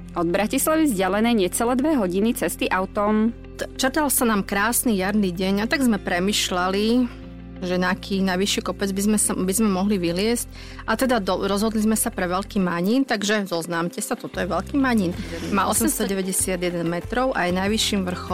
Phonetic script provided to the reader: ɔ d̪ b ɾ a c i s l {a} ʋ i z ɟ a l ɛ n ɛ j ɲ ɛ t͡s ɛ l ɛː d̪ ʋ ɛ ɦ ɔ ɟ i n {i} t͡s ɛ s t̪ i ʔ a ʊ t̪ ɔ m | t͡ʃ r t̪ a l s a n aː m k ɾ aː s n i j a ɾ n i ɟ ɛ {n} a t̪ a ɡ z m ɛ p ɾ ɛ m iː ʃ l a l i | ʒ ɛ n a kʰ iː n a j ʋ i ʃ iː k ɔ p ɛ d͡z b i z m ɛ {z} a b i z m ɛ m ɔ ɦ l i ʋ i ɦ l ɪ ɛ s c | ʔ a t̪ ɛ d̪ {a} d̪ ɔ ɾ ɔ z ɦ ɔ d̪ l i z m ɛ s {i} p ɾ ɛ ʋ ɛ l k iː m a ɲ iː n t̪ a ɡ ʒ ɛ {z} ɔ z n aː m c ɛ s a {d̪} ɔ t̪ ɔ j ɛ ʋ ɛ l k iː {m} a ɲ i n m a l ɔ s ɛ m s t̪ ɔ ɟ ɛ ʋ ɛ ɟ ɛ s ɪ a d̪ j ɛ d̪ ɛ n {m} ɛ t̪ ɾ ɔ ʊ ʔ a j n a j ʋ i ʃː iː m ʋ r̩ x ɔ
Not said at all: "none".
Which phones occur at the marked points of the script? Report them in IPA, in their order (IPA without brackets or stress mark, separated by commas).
a, i, ɲ, s, a, a, z, t̪, m, m